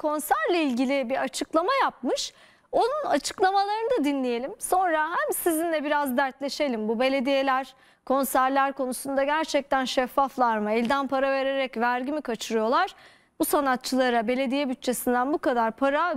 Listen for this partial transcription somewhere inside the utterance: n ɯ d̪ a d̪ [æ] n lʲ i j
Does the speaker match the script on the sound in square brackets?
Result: no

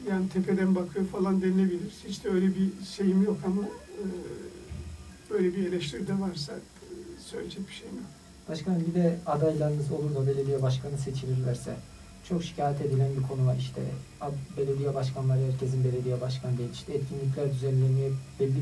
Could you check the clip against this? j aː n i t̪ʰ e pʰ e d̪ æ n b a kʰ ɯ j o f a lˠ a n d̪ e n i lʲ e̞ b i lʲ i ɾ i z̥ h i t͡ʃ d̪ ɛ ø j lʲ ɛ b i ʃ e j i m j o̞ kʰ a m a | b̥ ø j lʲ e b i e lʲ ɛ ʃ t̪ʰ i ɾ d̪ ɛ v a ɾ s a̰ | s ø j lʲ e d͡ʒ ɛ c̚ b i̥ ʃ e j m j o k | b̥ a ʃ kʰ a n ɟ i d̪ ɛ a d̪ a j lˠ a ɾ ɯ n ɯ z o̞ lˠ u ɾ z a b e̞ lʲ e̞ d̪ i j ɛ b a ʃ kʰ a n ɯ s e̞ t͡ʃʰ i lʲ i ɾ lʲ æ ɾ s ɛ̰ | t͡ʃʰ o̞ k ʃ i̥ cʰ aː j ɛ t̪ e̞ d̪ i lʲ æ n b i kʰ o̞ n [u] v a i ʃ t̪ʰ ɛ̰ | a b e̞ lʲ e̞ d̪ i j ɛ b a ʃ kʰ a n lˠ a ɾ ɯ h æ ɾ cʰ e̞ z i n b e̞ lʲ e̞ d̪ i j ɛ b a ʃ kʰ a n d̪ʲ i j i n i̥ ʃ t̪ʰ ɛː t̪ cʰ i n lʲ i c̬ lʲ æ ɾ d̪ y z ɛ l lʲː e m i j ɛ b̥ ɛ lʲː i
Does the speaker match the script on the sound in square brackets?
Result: yes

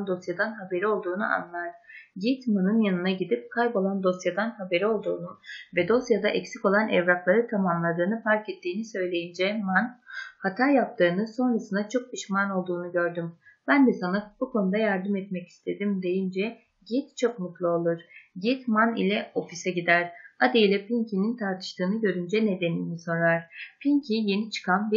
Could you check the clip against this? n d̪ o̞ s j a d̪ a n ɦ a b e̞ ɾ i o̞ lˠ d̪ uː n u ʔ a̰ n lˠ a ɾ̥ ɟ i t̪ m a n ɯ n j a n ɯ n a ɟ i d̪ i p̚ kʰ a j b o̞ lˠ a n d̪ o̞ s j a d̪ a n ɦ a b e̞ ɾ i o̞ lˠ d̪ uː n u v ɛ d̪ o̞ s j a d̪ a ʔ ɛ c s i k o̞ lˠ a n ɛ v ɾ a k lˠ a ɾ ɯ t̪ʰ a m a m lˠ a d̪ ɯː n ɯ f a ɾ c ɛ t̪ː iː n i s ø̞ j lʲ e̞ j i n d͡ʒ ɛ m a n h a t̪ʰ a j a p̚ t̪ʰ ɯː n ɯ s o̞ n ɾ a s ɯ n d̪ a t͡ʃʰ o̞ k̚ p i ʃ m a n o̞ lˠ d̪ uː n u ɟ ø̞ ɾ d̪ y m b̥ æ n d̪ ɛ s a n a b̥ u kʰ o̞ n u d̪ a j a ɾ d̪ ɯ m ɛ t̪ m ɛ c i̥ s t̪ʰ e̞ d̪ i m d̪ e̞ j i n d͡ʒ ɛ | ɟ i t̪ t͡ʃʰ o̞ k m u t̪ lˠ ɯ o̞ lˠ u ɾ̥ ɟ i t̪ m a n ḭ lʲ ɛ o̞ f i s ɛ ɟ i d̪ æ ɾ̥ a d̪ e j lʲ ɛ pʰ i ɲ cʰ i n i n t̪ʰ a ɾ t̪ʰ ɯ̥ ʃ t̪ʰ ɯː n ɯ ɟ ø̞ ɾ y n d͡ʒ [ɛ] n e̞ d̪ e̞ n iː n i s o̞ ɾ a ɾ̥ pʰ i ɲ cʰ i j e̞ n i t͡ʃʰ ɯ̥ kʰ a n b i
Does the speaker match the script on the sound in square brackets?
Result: yes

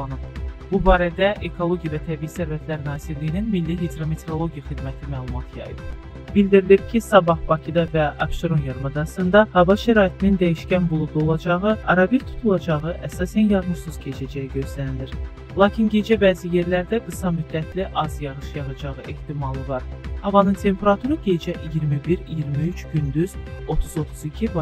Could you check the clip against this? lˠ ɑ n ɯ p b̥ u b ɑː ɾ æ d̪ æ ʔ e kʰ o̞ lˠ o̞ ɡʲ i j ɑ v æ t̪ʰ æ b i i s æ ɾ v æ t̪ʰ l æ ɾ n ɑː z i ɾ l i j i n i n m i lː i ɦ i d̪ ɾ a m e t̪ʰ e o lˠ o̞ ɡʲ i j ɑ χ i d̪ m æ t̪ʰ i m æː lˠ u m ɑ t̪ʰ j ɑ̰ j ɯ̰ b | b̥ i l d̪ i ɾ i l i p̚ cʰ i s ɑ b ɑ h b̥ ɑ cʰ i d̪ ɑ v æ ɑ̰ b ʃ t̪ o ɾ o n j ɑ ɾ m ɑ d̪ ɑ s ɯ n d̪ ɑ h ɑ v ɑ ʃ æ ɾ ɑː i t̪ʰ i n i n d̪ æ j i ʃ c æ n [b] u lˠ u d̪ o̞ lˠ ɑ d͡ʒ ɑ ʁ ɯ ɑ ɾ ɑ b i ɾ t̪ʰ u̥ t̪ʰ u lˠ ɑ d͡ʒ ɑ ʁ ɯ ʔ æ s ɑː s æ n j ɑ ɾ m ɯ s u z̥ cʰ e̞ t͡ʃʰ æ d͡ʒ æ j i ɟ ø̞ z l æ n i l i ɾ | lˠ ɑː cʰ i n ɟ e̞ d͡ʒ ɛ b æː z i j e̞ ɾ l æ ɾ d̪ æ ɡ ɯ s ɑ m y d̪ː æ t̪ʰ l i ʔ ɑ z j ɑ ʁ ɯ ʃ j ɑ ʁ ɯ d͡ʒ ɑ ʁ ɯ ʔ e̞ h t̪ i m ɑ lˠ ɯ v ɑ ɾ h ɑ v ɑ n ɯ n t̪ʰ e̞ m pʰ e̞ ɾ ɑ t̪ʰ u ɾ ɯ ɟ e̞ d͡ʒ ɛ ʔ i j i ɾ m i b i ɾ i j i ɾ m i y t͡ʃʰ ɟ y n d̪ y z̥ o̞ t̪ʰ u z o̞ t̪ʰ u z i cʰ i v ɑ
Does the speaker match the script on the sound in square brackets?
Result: yes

